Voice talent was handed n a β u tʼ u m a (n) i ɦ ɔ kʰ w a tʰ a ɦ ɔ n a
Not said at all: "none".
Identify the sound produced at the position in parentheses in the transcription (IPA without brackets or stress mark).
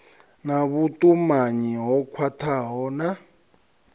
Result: ɲ